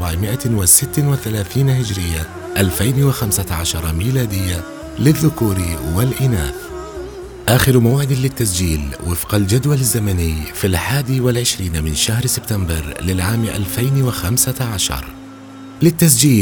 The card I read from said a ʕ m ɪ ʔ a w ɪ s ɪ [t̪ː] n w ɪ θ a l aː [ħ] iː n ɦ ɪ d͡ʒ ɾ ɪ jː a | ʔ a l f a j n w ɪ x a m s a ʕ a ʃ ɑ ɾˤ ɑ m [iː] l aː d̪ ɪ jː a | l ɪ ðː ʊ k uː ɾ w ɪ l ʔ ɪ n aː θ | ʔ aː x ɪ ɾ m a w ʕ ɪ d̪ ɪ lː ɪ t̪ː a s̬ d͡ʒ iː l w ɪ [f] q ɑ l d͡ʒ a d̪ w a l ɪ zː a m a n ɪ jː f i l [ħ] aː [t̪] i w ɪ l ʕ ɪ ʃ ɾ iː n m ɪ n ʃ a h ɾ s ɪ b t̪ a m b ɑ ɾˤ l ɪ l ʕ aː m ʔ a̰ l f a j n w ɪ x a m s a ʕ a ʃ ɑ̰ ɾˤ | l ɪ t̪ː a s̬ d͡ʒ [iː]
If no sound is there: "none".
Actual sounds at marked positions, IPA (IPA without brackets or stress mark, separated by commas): t̪ː, θ, iː, f, ħ, d̪, iː